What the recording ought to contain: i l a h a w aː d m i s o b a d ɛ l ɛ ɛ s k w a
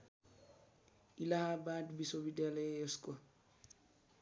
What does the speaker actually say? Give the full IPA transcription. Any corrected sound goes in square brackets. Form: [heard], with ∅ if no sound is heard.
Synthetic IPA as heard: i l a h a [b] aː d [b] i s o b [i] d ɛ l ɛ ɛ s k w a